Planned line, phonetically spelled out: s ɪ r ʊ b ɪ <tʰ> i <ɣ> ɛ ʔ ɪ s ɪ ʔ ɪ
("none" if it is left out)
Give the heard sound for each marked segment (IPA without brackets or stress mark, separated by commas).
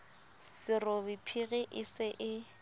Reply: pʰ, ɣ